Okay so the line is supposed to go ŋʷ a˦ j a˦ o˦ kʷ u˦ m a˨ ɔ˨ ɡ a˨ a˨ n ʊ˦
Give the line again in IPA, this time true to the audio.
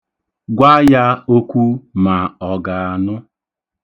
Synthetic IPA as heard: ɡʷ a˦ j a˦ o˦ kʷ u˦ m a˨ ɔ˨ ɡ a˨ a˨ n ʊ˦